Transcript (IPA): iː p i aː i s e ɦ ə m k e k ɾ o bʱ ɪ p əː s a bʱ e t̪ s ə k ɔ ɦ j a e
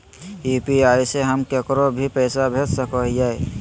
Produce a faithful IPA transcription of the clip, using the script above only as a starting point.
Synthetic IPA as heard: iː p i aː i s e ɦ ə m k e k ɾ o bʱ i p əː s a bʱ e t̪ s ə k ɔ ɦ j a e

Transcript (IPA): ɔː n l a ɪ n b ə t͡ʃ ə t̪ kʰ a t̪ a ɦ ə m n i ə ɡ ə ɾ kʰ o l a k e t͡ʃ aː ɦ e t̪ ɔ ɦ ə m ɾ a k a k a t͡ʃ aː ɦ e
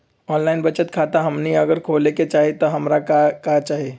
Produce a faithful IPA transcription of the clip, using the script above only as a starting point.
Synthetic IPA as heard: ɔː n l a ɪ n b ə t͡ʃ ə t̪ kʰ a t̪ a ɦ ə m n i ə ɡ ə ɾ kʰ o l e k e t͡ʃ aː ɦ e t̪ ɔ ɦ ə m ɾ a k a k a t͡ʃ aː ɦ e

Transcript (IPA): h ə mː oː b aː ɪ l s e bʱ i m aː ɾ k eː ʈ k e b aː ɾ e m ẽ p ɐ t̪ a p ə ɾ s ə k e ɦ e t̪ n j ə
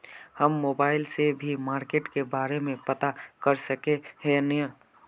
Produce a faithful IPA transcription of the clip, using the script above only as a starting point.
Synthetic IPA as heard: h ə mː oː b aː ɪ l s e bʱ i m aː ɾ k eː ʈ k e b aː ɾ e m ẽ p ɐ t̪ a k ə ɾ s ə k e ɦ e n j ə

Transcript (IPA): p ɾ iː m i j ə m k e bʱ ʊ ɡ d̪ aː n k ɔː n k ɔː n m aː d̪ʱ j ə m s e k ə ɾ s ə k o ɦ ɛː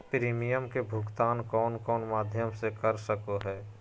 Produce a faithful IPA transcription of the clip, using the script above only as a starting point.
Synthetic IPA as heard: p ɾ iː m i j ə m k e bʱ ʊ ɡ t̪ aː n k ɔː n k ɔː n m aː d̪ʱ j ə m s e k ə ɾ s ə k o ɦ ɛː

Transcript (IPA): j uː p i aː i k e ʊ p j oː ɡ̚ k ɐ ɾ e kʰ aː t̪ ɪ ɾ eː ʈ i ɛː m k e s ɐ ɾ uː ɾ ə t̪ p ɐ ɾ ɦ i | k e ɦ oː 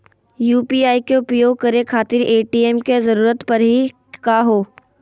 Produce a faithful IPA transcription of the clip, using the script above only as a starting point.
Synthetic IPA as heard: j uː p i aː i k e ʊ p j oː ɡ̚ k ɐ ɾ e kʰ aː t̪ ɪ ɾ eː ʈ i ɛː m k e z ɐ ɾ uː ɾ ə t̪ p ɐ ɾ ɦ i | k a ɦ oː

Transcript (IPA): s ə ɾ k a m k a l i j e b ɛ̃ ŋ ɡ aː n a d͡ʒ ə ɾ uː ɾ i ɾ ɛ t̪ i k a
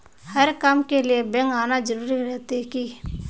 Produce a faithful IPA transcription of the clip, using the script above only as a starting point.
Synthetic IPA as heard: h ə ɾ k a m k e l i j e b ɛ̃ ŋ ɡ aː n a d͡ʒ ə ɾ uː ɾ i ɾ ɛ t̪ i k i

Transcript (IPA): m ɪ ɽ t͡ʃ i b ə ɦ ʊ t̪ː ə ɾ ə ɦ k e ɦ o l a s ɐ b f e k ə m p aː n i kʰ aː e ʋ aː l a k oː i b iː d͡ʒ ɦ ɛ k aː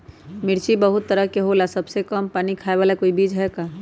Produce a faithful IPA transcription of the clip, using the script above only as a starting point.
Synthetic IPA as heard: m ɪ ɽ t͡ʃ i b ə ɦ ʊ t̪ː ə ɾ ə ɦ k e ɦ o l a s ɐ b s e k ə m p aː n i kʰ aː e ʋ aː l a k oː i b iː d͡ʒ ɦ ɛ k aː

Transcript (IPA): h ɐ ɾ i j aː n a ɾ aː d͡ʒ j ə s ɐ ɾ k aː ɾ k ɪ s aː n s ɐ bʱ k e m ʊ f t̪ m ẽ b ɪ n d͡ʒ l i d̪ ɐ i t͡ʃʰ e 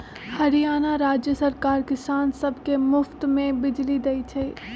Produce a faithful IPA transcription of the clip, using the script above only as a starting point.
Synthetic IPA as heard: h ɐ ɾ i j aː n a ɾ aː d͡ʒ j ə s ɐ ɾ k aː ɾ k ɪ s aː n s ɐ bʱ k e m ʊ f t̪ m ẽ b ɪ d͡ʒ l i d̪ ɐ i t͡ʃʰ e

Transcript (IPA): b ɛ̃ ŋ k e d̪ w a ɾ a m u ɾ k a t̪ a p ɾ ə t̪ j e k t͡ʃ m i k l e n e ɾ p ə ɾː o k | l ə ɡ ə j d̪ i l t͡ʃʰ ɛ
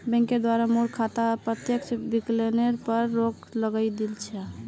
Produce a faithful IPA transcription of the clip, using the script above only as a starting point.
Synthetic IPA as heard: b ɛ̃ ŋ k e d̪ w a ɾ a m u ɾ kʰ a t̪ a p ɾ ə t̪ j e k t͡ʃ b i k l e n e ɾ p ə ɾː o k | l ə ɡ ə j d̪ i l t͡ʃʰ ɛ

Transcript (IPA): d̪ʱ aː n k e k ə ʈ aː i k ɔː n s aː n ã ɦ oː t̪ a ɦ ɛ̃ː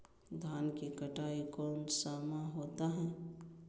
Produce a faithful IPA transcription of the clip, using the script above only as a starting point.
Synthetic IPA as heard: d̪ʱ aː n k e k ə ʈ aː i k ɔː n s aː m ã ɦ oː t̪ a ɦ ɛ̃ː

